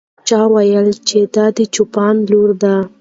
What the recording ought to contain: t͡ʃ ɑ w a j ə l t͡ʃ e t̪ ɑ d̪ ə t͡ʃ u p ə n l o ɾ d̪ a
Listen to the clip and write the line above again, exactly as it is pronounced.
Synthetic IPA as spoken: t͡ʃ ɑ w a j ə l t͡ʃ e d̪ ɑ d̪ ə t͡ʃ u p ɑ n l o ɾ d̪ a